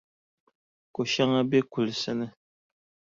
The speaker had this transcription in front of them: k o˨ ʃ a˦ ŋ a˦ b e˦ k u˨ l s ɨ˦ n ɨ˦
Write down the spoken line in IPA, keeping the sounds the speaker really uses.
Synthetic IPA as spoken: k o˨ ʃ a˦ ŋ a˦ b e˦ k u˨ l s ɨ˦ n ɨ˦